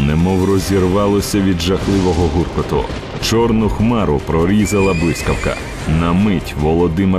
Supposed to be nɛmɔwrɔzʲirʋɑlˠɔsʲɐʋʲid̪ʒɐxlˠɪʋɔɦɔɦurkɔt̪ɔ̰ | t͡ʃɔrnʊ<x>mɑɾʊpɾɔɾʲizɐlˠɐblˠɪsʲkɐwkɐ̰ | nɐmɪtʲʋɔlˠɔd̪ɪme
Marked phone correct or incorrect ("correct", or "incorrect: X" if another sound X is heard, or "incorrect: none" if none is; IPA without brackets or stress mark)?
correct